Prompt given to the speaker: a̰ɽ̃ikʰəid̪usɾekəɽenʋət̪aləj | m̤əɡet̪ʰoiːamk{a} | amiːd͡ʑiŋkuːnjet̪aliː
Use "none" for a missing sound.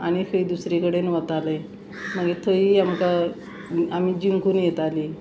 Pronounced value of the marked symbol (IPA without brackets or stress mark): a